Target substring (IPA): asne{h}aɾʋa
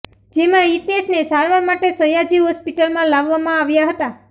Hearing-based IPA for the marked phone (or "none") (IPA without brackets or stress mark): s